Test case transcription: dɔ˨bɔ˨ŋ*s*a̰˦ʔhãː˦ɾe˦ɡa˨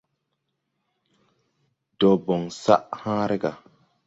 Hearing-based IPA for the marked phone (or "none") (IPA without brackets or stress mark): s